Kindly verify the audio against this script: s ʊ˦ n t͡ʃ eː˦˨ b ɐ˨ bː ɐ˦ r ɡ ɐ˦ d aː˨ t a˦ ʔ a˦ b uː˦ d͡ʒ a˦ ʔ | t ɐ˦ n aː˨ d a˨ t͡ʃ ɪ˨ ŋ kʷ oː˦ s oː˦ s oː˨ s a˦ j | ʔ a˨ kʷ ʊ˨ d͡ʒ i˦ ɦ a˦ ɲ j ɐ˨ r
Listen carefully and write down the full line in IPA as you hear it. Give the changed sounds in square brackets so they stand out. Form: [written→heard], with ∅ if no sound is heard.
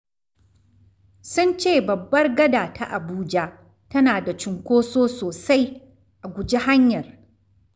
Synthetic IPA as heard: s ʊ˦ n t͡ʃ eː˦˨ b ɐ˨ bː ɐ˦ r ɡ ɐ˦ d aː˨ t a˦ ʔ [a˦→a˨] b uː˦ d͡ʒ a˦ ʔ | t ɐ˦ n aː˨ d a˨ t͡ʃ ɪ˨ ŋ kʷ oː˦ s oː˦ s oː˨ s a˦ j | ʔ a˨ [kʷ→ɡʷ] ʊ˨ d͡ʒ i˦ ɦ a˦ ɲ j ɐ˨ r